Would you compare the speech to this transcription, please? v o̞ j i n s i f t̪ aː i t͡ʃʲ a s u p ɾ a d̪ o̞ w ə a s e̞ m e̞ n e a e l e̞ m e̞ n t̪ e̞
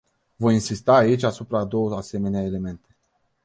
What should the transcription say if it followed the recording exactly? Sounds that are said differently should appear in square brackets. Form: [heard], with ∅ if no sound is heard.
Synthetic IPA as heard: v o̞ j i n s i [s] t̪ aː i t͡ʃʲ a s u p ɾ a d̪ o̞ w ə a s e̞ m e̞ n e a e l e̞ m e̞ n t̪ e̞